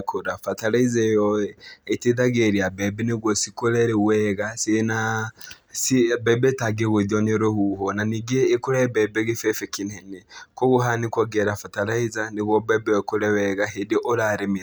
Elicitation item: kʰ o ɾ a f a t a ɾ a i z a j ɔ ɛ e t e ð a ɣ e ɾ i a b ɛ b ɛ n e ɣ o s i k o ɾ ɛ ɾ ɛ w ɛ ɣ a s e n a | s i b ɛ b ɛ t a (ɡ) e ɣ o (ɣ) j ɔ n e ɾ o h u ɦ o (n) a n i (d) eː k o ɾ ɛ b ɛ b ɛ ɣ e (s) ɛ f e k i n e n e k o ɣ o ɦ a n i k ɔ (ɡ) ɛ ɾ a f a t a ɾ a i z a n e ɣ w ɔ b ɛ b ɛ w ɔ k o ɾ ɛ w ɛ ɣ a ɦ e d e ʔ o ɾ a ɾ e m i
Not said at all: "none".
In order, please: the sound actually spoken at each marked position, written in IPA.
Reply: ɡ, ð, n, ɡ, f, ɡ

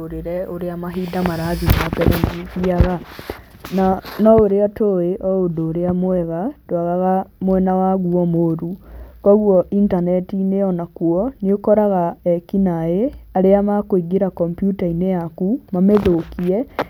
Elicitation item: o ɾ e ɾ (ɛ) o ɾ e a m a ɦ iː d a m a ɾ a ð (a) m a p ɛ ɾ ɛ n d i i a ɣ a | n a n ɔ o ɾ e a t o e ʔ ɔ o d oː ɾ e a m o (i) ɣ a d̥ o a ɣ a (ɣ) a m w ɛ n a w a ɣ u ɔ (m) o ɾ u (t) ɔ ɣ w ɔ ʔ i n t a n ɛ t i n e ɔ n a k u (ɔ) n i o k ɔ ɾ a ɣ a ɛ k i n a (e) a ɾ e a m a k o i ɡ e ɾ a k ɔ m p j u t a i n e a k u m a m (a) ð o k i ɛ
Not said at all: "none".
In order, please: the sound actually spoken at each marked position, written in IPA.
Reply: ɛ, i, ɛ, ɣ, m, k, ɔ, e, e

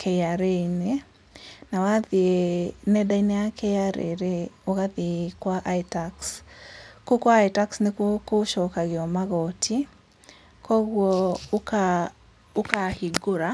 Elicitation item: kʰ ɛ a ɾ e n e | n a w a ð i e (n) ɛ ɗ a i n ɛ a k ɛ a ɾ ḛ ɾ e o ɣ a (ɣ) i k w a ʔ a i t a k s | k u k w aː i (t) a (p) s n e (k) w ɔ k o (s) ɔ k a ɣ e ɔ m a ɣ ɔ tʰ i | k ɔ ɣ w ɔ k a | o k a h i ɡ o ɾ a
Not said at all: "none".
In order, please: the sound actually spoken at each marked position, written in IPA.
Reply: n, ð, t, k, k, ʃ

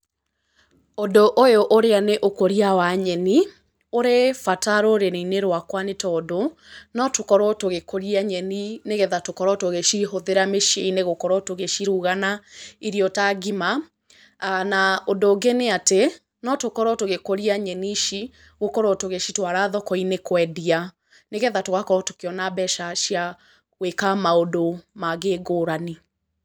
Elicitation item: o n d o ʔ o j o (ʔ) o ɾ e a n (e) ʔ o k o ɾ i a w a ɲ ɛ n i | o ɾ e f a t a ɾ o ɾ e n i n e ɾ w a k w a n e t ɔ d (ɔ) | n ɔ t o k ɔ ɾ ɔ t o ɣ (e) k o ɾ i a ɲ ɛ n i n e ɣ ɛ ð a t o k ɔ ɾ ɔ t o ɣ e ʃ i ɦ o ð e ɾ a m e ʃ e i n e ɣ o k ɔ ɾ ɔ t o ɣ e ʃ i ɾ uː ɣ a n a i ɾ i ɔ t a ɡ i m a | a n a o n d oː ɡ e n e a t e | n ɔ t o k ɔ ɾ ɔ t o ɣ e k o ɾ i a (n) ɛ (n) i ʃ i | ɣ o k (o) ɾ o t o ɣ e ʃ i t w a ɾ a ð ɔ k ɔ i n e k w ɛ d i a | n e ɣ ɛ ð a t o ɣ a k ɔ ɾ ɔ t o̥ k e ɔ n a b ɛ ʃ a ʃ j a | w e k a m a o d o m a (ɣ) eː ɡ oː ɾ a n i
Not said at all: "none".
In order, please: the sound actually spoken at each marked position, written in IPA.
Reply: ʔ, e, o, e, ɲ, n, ɔ, ɣ

